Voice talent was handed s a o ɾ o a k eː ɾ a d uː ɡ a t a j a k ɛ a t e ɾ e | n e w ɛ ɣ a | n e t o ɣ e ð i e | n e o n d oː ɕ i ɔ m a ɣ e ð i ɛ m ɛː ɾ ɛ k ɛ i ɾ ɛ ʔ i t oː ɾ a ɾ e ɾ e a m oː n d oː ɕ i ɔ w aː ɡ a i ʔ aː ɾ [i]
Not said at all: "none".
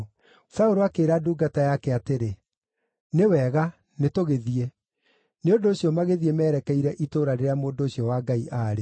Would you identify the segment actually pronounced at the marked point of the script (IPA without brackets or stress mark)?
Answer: e